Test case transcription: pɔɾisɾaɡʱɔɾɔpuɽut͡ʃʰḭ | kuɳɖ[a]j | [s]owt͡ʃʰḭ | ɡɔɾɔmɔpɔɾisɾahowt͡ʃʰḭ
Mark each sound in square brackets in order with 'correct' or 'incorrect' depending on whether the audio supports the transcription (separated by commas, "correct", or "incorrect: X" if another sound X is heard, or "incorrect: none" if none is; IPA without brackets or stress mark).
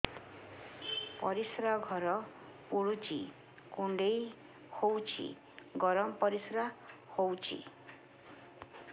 incorrect: e, incorrect: h